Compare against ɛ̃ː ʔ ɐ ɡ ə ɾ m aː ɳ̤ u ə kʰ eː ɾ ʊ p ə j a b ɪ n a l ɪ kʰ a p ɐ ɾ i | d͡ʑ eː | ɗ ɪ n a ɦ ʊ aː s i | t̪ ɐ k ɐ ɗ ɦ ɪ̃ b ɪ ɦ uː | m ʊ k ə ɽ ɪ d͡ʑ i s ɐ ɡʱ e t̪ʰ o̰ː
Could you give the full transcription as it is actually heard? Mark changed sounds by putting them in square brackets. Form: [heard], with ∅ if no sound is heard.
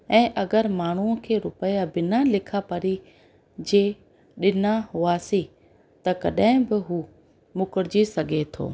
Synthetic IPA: ɛ̃ː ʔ ɐ ɡ ə ɾ m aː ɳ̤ u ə kʰ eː ɾ ʊ p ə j a b ɪ n a l ɪ kʰ a p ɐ ɾ i | d͡ʑ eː | ɗ ɪ n a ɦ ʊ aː s i | t̪ ɐ k ɐ ɗ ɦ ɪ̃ b ɪ ɦ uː | m ʊ k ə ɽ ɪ d͡ʑ i s ɐ ɡʱ e t̪ʰ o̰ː

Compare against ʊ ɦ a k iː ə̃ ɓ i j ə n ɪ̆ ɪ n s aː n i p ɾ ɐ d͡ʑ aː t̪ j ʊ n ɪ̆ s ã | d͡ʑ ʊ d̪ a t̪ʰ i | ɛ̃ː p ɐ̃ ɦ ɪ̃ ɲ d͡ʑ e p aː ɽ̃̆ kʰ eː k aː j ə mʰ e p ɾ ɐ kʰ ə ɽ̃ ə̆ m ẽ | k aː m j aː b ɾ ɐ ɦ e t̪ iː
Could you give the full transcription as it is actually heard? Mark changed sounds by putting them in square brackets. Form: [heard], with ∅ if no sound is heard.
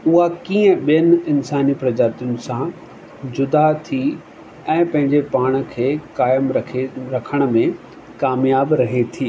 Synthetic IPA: ʊ ɦ a k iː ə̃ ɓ i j ə n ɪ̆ ɪ n s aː n i p ɾ ɐ d͡ʑ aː t̪ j ʊ n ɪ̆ s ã | d͡ʑ ʊ d̪ a t̪ʰ i | ɛ̃ː p ɐ̃ ɦ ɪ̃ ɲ d͡ʑ e p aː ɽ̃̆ kʰ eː k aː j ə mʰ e [∅] ɾ ɐ kʰ ə ɽ̃ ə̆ m ẽ | k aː m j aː b ɾ ɐ ɦ e [t̪ʰ] iː

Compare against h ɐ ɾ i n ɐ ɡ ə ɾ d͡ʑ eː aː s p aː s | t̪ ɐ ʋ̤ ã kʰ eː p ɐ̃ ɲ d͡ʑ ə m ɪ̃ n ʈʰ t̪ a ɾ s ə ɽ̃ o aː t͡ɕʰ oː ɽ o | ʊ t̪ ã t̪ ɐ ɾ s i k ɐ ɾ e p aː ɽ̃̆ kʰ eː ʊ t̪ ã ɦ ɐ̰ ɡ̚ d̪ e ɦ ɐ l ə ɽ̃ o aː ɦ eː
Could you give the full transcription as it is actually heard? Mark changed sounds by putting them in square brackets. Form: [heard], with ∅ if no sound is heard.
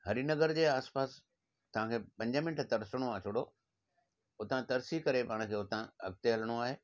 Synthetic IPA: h ɐ ɾ i n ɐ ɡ ə ɾ d͡ʑ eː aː s p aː s | t̪ ɐ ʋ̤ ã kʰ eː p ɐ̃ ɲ d͡ʑ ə m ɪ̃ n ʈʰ t̪ [ɐ] ɾ s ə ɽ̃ o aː t͡ɕʰ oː ɽ o | ʊ t̪ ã t̪ ɐ ɾ s i k ɐ ɾ e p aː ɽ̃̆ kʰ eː ʊ t̪ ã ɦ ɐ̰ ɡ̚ [t̪] e ɦ ɐ l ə ɽ̃ o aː ɦ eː

